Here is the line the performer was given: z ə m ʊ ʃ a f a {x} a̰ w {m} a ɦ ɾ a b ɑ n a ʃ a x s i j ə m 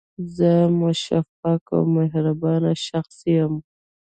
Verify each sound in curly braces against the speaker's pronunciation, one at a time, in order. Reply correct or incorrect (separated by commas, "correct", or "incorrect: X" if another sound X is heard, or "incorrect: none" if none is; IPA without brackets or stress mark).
incorrect: k, correct